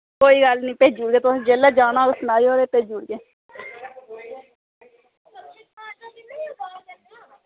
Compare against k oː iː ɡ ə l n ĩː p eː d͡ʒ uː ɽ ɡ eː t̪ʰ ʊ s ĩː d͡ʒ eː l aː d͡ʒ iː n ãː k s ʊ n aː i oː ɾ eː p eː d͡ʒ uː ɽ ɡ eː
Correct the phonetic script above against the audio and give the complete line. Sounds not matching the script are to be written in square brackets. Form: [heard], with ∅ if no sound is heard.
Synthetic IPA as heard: k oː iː ɡ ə l n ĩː p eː d͡ʒ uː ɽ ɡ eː [t̪] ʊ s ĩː d͡ʒ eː l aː d͡ʒ [aː] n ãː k s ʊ n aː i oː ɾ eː p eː d͡ʒ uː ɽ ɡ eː

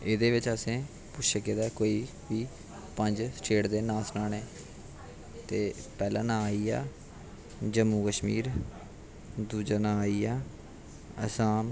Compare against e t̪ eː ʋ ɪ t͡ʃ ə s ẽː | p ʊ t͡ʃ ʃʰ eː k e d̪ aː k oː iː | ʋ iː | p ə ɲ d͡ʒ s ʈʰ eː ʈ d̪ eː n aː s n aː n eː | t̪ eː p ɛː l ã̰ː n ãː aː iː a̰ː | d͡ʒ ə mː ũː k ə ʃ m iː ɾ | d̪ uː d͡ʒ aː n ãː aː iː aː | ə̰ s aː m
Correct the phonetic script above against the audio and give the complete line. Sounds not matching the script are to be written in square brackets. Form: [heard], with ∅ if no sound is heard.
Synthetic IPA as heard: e [d̪] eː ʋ ɪ t͡ʃ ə s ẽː | p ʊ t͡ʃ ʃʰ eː k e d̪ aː k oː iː | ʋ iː | p ə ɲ d͡ʒ s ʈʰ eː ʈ d̪ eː n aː s n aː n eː | t̪ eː p ɛː l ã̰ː n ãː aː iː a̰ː | d͡ʒ ə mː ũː k ə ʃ m iː ɾ | d̪ uː d͡ʒ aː n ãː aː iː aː | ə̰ s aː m

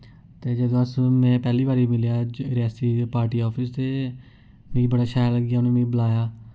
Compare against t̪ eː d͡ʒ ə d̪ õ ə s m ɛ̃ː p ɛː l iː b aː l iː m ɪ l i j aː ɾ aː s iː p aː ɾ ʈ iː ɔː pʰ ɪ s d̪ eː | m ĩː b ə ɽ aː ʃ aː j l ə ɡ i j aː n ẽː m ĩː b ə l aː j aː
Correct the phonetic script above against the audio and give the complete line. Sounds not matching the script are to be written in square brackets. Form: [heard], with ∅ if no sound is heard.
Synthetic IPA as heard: t̪ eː d͡ʒ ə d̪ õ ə s m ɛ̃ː p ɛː l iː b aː [ɾ] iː m ɪ l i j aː ɾ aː s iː p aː ɾ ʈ iː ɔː pʰ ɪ s [t̪] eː | m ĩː b ə ɽ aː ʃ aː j l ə ɡ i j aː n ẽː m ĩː b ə l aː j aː

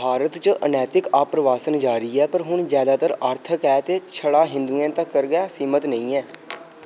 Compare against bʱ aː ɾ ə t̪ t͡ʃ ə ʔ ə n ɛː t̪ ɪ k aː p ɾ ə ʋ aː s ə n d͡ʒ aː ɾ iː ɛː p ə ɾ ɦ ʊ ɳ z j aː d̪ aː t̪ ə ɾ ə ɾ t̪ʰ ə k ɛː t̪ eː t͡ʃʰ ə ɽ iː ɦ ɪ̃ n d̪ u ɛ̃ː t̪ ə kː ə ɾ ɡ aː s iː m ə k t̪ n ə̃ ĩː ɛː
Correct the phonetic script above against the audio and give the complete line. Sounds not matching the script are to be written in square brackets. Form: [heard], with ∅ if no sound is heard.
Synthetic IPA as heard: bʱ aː ɾ ə t̪ t͡ʃ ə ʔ ə n ɛː t̪ ɪ k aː p ɾ ə ʋ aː s ə n d͡ʒ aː ɾ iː ɛː p ə ɾ ɦ ʊ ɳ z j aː d̪ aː t̪ ə ɾ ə ɾ t̪ʰ ə k ɛː t̪ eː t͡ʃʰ ə ɽ [aː] ɦ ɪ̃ n d̪ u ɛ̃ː t̪ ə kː ə ɾ ɡ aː s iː m ə [∅] t̪ n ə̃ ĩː ɛː

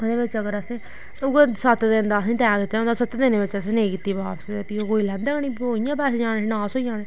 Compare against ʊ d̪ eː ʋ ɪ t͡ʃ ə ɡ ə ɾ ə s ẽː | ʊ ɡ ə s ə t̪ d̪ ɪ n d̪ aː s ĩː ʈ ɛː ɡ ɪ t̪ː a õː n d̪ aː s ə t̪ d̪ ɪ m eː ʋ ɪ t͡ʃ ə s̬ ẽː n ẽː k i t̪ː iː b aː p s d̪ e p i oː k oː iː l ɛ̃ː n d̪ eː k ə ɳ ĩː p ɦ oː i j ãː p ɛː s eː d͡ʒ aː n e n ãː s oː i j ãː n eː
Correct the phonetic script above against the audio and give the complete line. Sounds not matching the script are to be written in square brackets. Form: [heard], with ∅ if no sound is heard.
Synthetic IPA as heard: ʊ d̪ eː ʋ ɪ t͡ʃ ə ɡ ə ɾ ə s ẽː | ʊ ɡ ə s ə t̪ d̪ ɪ n d̪ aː s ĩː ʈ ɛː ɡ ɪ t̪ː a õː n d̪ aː s ə t̪ d̪ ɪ [n] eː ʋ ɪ t͡ʃ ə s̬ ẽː n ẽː k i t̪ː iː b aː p s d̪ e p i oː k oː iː l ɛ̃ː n d̪ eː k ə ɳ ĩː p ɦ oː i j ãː p ɛː s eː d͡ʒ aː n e n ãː s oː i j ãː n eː

